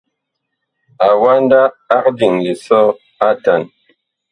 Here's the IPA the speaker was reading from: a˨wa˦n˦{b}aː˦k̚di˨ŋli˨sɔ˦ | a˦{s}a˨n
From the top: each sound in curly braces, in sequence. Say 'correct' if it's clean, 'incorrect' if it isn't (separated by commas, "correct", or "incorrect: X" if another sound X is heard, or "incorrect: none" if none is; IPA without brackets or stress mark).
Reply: incorrect: d, incorrect: t